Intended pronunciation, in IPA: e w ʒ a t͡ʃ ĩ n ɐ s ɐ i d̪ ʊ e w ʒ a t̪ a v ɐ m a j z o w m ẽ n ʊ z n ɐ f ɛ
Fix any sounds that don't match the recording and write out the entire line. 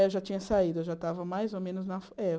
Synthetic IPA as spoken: e w ʒ a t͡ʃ ĩ ɲ ɐ s a i d̪ ʊ e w ʒ a t̪ a v ɐ m a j z o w m ẽ n ʊ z n ɐ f ɛ